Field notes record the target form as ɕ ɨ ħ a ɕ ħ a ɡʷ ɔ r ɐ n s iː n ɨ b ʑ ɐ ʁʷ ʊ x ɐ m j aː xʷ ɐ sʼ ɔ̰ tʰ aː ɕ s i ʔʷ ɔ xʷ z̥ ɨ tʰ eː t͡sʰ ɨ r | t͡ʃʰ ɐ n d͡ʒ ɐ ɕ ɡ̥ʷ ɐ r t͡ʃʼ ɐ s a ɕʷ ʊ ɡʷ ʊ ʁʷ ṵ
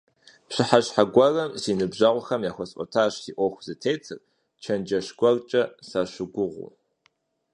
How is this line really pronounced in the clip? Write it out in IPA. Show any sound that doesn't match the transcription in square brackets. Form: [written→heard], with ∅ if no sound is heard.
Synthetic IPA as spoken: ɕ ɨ ħ a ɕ ħ a ɡʷ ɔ r ɐ [n→m] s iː n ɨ b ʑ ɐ ʁʷ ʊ x ɐ m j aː xʷ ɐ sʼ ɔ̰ tʰ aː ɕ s i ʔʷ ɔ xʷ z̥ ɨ tʰ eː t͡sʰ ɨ r | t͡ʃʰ ɐ n d͡ʒ ɐ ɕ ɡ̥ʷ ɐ r t͡ʃʼ ɐ s a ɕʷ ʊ ɡʷ ʊ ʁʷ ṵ